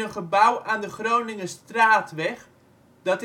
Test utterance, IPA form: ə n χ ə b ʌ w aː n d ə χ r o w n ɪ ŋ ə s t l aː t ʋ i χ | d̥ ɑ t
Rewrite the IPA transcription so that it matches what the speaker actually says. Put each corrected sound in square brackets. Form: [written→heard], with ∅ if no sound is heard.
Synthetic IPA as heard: ə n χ ə b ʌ w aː n d ə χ r o w n ɪ ŋ ə s t [l→r] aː t ʋ [i→ɛ] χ | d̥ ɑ t